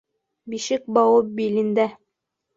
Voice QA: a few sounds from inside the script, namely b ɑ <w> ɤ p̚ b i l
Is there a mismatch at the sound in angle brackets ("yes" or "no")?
no